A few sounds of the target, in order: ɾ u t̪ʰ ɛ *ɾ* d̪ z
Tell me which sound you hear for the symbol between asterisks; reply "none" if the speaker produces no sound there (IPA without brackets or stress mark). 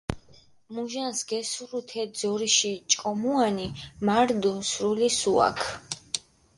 none